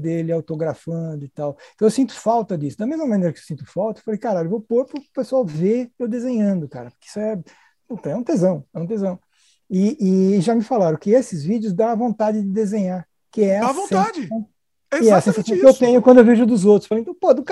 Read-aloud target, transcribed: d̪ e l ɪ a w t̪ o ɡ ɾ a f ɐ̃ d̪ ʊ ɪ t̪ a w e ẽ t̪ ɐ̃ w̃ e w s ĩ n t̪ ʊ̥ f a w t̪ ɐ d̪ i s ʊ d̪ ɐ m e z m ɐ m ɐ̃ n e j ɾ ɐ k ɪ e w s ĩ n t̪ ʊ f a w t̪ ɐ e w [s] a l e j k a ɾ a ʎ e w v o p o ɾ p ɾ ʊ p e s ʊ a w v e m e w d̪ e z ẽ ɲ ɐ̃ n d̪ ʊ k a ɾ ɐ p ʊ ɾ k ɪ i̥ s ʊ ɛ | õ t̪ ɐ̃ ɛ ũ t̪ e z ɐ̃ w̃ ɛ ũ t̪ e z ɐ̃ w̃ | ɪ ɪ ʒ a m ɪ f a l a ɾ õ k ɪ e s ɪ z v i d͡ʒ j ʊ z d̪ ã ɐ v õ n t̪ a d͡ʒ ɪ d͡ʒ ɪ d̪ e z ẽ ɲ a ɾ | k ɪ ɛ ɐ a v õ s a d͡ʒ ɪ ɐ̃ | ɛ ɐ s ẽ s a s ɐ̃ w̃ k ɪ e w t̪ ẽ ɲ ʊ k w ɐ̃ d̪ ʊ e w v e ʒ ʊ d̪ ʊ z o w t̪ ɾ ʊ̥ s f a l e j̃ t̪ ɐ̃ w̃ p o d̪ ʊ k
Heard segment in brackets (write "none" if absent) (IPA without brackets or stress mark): f